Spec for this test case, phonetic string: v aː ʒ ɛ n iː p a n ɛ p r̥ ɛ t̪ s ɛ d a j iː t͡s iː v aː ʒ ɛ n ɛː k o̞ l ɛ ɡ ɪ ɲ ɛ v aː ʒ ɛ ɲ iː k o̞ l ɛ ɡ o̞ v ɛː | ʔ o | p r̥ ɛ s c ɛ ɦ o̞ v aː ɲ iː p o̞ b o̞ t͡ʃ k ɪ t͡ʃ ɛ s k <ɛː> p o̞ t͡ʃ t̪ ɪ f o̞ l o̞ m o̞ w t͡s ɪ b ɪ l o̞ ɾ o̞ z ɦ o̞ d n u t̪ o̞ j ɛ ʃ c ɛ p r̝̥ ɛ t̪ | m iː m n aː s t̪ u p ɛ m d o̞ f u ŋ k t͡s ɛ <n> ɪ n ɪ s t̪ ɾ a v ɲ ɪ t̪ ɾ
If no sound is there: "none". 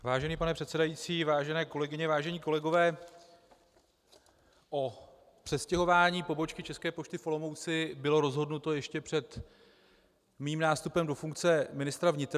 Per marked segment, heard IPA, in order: ɛː, m

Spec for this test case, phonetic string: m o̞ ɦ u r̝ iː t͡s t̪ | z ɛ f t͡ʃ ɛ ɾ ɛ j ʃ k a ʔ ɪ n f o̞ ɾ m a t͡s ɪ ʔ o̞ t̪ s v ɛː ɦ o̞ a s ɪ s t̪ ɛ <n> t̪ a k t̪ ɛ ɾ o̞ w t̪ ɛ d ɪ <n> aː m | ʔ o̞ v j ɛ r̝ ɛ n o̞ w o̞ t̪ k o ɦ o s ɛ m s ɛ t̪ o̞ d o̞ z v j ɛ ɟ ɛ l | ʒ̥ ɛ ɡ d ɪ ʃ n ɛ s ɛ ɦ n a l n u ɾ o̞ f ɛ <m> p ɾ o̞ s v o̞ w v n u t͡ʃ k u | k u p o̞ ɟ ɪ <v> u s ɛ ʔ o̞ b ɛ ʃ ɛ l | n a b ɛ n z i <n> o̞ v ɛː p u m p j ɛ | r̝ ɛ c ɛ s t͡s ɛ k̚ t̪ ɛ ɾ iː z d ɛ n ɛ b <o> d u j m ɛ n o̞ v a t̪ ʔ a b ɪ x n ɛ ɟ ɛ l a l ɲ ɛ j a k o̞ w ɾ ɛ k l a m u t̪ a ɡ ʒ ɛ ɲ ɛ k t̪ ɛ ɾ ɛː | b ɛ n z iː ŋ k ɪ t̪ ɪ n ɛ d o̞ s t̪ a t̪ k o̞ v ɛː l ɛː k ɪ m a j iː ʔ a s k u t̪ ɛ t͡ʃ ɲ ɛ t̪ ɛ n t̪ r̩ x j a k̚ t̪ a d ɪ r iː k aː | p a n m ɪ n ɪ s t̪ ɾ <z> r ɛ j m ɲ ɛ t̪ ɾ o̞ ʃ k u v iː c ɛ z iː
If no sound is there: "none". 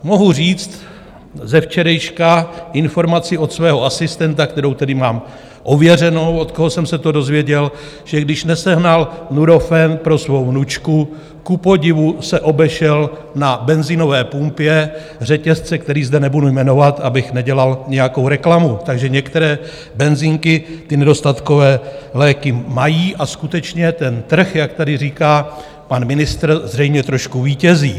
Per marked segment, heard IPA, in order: n, m, n, v, n, u, z

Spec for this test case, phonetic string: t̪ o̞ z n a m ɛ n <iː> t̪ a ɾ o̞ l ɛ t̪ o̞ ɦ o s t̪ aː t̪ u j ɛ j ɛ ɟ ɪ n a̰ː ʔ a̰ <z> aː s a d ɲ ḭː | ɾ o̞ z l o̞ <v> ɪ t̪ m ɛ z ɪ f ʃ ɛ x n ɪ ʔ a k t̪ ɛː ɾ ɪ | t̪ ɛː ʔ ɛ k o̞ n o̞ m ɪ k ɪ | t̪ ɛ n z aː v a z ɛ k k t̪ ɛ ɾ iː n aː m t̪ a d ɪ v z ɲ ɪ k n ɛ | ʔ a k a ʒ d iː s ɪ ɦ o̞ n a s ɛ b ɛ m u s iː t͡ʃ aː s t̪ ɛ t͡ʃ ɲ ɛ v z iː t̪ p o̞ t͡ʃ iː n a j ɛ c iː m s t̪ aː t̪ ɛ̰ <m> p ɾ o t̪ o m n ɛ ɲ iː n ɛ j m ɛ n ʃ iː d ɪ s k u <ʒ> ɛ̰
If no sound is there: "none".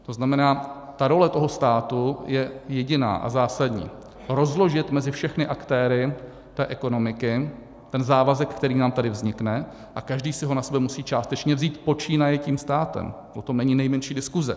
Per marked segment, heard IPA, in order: aː, z, ʒ, m, z

